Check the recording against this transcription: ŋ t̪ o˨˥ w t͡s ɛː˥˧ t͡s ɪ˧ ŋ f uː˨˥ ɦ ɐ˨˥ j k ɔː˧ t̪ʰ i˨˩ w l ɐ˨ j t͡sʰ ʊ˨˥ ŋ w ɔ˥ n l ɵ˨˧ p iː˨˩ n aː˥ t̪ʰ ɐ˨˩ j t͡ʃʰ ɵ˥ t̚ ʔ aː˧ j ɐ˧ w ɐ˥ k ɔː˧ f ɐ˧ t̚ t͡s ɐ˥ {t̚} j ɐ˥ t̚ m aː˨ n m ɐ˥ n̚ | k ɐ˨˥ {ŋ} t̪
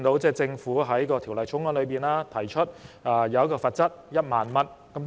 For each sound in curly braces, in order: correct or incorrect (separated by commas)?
correct, incorrect